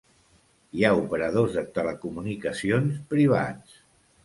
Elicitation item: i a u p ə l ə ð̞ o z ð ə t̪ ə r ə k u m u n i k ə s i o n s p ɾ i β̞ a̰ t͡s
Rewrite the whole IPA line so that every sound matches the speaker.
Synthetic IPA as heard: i a u p ə ɾ ə ð̞ o z ð ə t̪ ə l ə k u m u n i k ə s i o n s p ɾ i β̞ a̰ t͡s